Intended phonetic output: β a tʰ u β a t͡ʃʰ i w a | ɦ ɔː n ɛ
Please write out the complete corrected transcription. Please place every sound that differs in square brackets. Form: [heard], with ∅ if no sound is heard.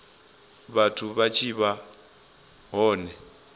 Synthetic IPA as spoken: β a tʰ u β a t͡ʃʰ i [β] a | ɦ ɔː n ɛ